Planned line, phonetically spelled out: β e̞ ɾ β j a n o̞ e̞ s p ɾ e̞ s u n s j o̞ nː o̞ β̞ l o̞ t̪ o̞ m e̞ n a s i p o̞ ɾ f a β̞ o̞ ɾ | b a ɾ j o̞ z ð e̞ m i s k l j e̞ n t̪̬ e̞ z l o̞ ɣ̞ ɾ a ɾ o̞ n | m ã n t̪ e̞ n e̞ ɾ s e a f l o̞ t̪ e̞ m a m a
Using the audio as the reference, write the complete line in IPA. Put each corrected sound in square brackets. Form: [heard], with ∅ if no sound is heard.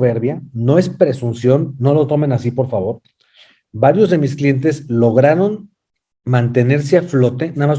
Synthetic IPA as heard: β e̞ ɾ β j a n o̞ e̞ s p ɾ e̞ s u n s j o̞ nː o̞ [∅] l o̞ t̪ o̞ m e̞ n a s i p o̞ ɾ f a β̞ o̞ ɾ | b a ɾ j o̞ z ð e̞ m i s k l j e̞ n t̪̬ e̞ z l o̞ ɣ̞ ɾ a ɾ o̞ n | m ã n t̪ e̞ n e̞ ɾ s e a f l o̞ t̪ e̞ [n] a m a